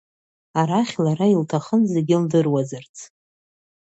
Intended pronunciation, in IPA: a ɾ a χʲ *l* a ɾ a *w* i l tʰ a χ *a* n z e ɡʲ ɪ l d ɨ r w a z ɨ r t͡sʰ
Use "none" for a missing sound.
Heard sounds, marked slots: l, none, ə

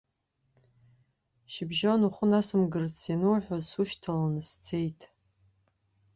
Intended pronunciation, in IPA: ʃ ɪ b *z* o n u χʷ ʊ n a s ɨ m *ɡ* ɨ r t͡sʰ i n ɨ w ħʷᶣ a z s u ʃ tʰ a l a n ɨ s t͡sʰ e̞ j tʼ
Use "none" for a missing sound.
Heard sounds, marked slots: ʒ, ɡ

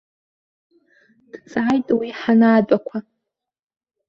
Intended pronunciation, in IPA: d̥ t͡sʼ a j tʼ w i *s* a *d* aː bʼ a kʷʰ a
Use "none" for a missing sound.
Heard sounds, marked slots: ħ, n

